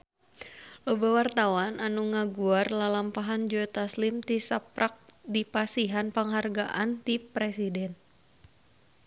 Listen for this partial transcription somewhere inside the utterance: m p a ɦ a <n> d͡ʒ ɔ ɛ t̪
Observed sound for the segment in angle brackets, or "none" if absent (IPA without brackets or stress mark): n